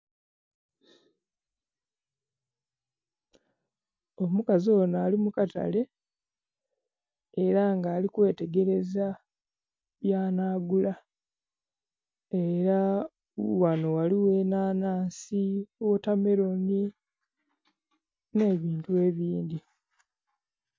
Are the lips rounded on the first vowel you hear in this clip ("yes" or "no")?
yes